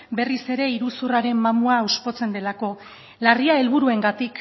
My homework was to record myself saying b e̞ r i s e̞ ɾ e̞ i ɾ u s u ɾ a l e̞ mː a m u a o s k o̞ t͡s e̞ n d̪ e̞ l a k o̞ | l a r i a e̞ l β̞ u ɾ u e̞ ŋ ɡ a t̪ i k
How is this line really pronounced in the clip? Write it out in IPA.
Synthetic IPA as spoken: b e̞ r i s e̞ ɾ e̞ i ɾ u s u r a ɾ e̞ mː a m u a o s p o̞ t͡s e̞ n d̪ e̞ l a k o̞ | l a r i a e̞ l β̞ u ɾ u e̞ ŋ ɡ a t̪ i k